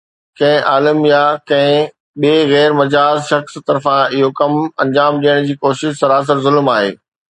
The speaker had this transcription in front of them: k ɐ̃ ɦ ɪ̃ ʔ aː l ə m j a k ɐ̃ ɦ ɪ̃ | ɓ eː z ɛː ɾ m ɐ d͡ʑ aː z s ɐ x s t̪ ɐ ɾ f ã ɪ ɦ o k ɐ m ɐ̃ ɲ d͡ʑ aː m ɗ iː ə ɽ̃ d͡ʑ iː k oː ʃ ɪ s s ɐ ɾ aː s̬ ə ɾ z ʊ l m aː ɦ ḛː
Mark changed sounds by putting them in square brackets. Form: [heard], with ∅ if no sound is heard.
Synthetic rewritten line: k ɐ̃ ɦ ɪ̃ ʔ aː l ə m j a k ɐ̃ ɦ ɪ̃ | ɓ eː [ɣ] ɛː ɾ m ɐ d͡ʑ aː z [ʃ] ɐ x s t̪ ɐ ɾ f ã ɪ ɦ o k ɐ m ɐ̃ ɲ d͡ʑ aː m ɗ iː ə ɽ̃ d͡ʑ iː k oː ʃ ɪ [ʃ] s ɐ ɾ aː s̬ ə ɾ z ʊ l m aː ɦ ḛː